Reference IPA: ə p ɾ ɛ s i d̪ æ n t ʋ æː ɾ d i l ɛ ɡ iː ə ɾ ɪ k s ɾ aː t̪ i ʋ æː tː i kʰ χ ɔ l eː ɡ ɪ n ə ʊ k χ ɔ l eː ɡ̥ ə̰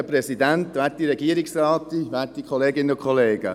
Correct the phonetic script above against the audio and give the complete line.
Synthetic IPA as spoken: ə p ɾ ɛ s i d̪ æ n t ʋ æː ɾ t i ɾ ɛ ɡ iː ə ɾ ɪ k s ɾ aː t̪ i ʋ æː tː i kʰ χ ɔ l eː ɡ ɪ n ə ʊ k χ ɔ l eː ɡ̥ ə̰